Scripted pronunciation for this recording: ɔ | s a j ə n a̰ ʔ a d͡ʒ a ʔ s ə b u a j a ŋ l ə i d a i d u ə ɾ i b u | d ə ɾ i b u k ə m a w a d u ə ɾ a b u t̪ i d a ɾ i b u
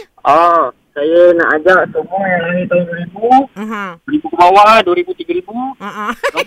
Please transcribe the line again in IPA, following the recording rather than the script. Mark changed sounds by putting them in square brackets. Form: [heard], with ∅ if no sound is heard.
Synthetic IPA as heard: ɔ | s a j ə n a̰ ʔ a d͡ʒ a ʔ s ə [m] u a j a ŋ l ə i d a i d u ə ɾ i b u | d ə ɾ i b u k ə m a w a d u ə ɾ [i] b u t̪ i [ɡ] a ɾ i b u